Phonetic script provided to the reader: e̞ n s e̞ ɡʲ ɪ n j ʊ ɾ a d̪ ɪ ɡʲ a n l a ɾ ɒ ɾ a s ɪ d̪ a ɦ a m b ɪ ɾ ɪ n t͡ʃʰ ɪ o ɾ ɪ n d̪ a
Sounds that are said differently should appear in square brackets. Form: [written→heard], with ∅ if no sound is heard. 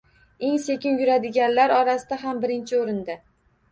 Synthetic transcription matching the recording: e̞ [n→ŋ] s e̞ [ɡʲ→kʲ] ɪ n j ʊ ɾ a d̪ ɪ ɡʲ a n l a ɾ ɒ ɾ a s ɪ d̪ a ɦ a m b ɪ ɾ ɪ n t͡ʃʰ ɪ o ɾ ɪ n d̪ a